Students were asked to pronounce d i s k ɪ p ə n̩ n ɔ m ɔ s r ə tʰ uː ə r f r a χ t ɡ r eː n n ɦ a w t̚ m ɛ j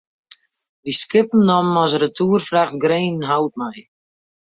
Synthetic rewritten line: d i s k ɪ p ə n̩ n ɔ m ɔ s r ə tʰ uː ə r f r a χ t ɡ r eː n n ɦ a w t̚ m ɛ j